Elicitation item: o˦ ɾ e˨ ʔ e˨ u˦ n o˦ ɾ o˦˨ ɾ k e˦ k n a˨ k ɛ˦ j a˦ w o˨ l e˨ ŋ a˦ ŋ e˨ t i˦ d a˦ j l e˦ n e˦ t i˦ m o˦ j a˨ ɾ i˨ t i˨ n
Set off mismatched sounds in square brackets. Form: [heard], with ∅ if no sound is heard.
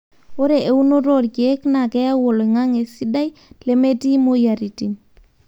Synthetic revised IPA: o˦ ɾ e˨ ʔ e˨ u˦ n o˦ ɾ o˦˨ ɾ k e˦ k n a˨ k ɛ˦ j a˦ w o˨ l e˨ ŋ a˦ ŋ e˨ [s] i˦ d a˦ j l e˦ [m] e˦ t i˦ m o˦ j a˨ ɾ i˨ t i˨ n

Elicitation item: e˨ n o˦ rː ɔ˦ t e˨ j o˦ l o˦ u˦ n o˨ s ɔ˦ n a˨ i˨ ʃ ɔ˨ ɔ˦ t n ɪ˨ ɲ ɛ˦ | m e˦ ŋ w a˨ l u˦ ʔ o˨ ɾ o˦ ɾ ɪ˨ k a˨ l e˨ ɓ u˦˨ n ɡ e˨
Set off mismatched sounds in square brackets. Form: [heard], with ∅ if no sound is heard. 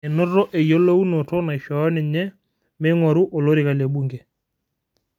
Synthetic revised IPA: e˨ n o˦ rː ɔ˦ [ʔ] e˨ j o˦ l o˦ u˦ n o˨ [t] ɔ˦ n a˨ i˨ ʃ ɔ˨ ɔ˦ [∅] n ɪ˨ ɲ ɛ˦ | m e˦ ŋ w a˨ [ɾ] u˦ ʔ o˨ [l] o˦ ɾ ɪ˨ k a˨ l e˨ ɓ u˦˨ [ŋ] ɡ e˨

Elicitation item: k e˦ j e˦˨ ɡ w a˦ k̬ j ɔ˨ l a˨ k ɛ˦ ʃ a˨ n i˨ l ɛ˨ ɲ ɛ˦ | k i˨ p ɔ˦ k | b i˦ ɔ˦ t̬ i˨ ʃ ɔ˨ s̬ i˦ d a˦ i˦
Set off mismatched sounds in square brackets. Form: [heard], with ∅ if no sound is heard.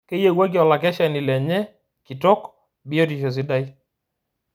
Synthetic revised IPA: k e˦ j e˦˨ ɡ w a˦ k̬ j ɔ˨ l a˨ k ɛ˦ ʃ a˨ n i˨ l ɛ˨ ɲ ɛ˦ | k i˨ [t] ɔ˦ k | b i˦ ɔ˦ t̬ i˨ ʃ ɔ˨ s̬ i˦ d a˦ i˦

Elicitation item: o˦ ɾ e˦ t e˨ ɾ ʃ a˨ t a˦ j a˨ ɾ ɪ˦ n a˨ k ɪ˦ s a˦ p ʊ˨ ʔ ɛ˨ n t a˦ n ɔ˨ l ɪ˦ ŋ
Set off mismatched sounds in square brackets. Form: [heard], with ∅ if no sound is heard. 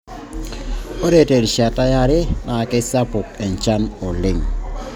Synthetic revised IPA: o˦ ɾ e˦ t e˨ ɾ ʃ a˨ t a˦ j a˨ ɾ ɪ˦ n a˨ k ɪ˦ s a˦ p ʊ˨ [k] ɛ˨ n [t͡ʃ] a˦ n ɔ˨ l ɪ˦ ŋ

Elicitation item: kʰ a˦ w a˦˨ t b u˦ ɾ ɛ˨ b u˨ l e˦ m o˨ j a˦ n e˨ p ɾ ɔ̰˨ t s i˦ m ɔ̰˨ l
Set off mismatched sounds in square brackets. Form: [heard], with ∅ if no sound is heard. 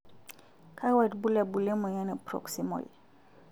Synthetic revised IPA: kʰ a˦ w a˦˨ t b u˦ [l] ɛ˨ b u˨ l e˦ m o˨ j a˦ n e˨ p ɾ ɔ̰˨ [k] s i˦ m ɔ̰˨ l

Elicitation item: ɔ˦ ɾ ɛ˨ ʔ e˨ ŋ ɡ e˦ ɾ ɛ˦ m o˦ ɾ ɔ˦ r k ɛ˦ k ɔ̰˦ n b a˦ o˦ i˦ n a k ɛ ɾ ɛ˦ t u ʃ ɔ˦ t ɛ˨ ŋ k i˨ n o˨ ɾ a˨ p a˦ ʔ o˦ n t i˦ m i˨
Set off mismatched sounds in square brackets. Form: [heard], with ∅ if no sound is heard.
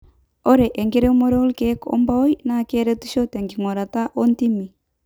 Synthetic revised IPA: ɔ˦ ɾ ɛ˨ ʔ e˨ ŋ ɡ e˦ ɾ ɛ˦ m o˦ ɾ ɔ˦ [l] k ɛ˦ k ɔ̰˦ [m] b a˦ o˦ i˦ n a k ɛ ɾ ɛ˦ t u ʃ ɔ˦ t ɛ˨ ŋ [ɡ] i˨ [ŋ] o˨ ɾ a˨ [t] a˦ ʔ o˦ n t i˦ m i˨

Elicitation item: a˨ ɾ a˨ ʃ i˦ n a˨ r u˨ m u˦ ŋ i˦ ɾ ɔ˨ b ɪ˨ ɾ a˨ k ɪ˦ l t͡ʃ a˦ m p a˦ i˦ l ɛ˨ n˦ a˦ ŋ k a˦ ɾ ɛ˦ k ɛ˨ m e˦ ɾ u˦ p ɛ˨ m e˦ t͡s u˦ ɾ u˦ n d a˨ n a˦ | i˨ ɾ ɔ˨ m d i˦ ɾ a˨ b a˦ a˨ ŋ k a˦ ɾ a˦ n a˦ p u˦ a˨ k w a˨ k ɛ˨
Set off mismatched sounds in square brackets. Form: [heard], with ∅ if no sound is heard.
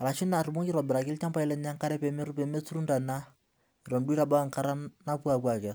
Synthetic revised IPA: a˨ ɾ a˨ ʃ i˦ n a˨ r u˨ m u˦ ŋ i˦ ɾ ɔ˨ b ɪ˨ ɾ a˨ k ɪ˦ l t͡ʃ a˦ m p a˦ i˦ l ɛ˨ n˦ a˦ ŋ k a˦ ɾ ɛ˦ [p] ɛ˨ m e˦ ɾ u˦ p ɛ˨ m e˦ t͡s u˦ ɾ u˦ n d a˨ n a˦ | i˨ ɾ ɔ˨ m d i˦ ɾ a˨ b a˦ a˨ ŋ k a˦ ɾ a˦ n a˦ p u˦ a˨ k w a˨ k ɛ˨

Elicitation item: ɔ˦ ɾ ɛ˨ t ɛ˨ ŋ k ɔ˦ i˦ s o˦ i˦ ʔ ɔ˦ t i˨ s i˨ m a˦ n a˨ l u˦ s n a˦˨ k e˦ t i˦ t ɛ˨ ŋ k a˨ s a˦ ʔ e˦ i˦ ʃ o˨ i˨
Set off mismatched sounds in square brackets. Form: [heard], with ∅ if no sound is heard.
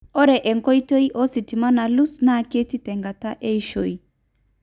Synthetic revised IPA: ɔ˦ ɾ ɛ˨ [ʔ] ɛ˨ ŋ k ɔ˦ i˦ [t] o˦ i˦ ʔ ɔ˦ [s] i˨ [t] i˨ m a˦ n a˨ l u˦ s n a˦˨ k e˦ t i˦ t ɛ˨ ŋ [ɡ] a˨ [t] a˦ ʔ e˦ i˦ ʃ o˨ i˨

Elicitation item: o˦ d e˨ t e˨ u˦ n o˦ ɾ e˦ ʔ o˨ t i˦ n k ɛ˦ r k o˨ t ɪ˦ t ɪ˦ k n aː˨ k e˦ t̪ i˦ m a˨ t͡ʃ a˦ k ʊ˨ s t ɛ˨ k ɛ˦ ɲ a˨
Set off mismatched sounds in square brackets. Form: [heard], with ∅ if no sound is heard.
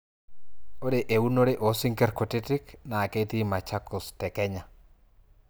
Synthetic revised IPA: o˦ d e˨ [ʔ] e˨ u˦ n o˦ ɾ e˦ ʔ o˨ [s] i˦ [ŋ] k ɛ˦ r k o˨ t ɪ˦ t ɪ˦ k n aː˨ k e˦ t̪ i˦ m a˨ t͡ʃ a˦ k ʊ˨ s t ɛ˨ k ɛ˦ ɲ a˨

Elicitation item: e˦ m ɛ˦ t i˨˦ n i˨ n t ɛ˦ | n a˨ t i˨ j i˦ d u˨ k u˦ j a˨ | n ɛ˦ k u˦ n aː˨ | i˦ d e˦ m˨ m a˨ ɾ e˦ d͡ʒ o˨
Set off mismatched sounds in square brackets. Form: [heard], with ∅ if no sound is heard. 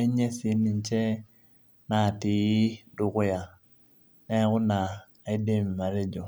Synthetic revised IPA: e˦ [ɲ] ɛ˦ [s] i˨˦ n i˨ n [t͡ʃ] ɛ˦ | n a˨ t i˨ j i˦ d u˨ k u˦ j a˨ | n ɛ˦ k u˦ n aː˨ | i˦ d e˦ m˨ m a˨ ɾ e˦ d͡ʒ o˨

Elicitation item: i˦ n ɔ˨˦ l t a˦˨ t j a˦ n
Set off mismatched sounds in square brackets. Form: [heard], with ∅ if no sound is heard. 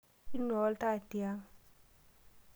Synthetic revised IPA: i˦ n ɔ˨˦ l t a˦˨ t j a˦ [ŋ]

